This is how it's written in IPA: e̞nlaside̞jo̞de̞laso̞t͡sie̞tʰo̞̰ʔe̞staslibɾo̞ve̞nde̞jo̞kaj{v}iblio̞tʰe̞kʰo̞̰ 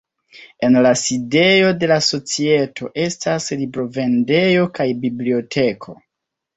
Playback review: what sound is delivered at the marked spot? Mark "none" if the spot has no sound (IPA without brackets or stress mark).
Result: b